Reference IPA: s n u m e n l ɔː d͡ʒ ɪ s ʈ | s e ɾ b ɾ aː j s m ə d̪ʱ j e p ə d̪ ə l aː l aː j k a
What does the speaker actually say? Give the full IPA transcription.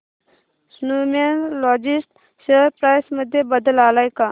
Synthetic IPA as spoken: s n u m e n l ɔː d͡ʒ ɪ s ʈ | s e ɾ p ɾ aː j s m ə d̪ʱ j e b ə d̪ ə l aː l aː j k a